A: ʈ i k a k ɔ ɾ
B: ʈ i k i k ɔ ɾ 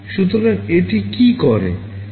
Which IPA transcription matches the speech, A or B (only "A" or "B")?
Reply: B